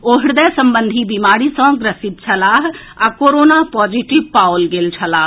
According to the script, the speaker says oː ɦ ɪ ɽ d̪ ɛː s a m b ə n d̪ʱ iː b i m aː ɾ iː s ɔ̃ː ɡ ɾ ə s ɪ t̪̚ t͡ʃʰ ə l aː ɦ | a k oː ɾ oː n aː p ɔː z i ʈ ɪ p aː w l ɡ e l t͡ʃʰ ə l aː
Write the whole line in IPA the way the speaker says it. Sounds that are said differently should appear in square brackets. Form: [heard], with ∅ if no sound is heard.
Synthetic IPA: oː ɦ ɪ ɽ d̪ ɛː s [ə] m b ə n d̪ʱ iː b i m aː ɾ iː s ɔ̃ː ɡ ɾ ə s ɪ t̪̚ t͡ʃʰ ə l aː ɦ | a k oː ɾ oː n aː p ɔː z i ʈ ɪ p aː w l ɡ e l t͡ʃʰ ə l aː